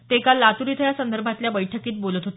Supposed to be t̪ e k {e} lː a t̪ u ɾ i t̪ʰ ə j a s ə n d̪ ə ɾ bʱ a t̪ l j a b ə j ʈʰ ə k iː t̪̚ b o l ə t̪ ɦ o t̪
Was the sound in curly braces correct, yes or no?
no